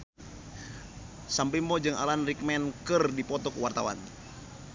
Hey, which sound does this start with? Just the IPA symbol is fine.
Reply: s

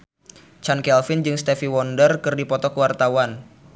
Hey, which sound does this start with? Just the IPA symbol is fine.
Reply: t͡ʃ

